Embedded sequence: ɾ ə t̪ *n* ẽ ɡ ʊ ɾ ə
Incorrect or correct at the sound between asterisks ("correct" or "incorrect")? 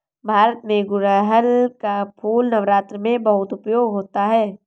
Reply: incorrect